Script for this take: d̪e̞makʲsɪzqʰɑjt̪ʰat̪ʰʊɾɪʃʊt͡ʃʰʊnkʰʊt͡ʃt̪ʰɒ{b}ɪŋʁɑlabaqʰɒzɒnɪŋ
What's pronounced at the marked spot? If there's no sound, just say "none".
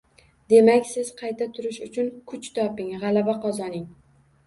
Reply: p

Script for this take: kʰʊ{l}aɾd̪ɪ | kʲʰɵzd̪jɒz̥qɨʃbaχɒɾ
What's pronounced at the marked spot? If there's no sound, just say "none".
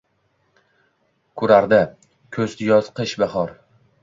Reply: ɾ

